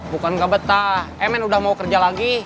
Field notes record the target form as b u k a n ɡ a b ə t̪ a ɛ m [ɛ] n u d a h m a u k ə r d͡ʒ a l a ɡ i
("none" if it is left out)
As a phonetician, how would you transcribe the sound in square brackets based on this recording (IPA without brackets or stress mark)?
ɛ